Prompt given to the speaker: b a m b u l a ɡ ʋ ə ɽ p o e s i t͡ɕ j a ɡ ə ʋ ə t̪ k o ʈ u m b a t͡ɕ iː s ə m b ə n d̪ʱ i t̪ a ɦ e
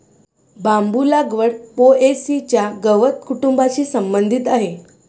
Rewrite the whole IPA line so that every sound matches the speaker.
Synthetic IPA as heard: b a m b u l a ɡ ʋ ə ɽ p o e s i t͡ɕ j a ɡ ə ʋ ə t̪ k u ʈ u m b a t͡ɕ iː s ə m b ə n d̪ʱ i t̪ a ɦ e